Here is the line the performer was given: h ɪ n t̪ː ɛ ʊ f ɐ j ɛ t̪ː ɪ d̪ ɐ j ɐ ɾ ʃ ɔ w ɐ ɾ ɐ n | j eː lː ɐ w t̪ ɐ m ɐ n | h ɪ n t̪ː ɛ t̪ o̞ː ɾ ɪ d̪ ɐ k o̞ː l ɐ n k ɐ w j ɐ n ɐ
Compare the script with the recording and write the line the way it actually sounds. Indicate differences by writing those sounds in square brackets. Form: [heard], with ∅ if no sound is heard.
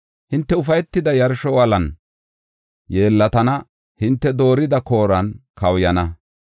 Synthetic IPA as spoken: h ɪ n t̪ː ɛ ʊ f ɐ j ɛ t̪ː ɪ d̪ ɐ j ɐ ɾ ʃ ɔ w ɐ [l] ɐ n | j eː lː ɐ [∅] t̪ ɐ [n] ɐ [∅] | h ɪ n t̪ː ɛ [d̪] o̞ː ɾ ɪ d̪ ɐ k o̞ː [ɾ] ɐ n k ɐ w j ɐ n ɐ